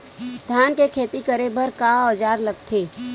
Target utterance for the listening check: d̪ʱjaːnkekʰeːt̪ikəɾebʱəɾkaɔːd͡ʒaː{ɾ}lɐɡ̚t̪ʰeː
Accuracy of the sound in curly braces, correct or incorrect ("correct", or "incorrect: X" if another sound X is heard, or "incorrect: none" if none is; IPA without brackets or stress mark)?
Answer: correct